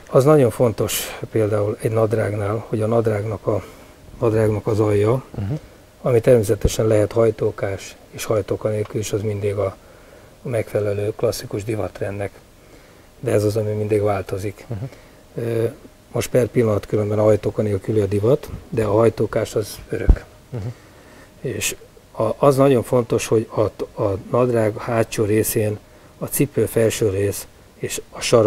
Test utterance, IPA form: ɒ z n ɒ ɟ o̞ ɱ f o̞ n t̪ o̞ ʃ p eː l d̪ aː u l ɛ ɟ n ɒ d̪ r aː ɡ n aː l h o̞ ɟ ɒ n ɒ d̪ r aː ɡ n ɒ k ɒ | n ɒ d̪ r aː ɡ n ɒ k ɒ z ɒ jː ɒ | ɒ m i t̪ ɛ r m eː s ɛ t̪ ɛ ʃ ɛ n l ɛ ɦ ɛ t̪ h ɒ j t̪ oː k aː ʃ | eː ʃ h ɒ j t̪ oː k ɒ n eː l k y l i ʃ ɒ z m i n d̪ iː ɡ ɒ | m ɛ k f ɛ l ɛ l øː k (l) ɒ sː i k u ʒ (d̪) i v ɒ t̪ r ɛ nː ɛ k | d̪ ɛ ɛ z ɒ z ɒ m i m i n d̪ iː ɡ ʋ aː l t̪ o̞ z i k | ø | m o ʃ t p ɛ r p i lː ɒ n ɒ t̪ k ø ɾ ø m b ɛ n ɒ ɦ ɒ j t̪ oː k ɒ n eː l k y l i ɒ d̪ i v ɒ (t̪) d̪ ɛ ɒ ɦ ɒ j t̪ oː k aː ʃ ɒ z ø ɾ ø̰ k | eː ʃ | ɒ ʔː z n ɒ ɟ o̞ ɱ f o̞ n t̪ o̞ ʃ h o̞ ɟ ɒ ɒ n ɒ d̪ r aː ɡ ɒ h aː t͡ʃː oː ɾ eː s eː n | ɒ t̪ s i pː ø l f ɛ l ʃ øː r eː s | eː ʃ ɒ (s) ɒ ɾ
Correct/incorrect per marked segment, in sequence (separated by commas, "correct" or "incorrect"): correct, correct, correct, incorrect